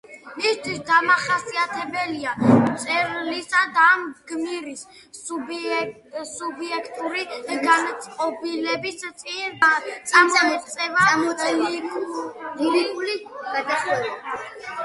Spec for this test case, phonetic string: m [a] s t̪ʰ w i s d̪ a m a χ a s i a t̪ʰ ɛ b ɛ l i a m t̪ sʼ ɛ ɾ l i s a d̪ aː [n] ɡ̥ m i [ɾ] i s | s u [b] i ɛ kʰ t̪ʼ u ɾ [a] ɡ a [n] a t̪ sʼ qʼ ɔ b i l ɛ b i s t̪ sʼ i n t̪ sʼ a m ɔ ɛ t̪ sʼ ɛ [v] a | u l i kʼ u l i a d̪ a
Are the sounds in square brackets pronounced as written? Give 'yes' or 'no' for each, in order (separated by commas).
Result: no, no, yes, yes, no, yes, yes